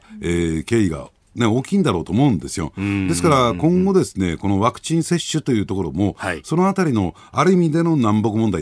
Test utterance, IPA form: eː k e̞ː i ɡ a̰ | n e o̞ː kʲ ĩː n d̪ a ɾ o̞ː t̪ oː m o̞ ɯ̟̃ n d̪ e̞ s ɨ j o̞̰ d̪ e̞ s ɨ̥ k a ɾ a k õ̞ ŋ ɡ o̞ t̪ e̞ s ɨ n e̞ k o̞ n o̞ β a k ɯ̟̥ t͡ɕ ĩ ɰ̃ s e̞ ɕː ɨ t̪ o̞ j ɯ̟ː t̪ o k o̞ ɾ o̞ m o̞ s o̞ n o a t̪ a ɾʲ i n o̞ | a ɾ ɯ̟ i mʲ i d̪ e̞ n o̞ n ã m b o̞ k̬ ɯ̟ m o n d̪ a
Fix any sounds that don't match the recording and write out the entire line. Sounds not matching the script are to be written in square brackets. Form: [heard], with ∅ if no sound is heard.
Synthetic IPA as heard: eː k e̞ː i ɡ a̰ | n e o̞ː kʲ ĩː n d̪ a ɾ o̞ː t̪ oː m o̞ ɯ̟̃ n d̪ e̞ s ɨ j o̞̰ d̪ e̞ s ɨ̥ k a ɾ a k õ̞ ŋ ɡ o̞ [d̪] e̞ s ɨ n e̞ k o̞ n o̞ β a k ɯ̟̥ t͡ɕ ĩ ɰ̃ s e̞ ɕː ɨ t̪ o̞ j ɯ̟ː t̪ o k o̞ ɾ o̞ m o̞ s o̞ n o a t̪ a ɾʲ i n o̞ | a ɾ ɯ̟ i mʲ i d̪ e̞ n o̞ n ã m b o̞ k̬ ɯ̟ m o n d̪ a